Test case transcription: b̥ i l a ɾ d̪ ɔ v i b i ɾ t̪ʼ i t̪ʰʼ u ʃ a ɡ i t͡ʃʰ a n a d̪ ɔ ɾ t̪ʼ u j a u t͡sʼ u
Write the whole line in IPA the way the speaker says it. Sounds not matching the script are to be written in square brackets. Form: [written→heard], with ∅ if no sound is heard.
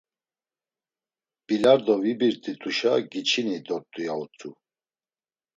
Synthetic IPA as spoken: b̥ i l a ɾ d̪ ɔ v i b i ɾ t̪ʼ i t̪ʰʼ u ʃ a ɡ i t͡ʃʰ [a→i] n [a→i] d̪ ɔ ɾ t̪ʼ u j a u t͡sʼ u